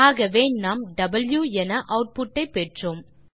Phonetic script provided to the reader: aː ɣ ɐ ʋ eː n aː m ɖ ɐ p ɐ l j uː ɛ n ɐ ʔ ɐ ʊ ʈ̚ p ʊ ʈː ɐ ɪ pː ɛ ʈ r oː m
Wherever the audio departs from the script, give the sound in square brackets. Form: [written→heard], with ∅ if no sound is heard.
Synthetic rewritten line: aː ɣ ɐ ʋ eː n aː m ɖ ɐ [p→b] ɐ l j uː ɛ n ɐ ʔ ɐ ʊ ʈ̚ p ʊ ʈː ɐ ɪ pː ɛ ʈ r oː m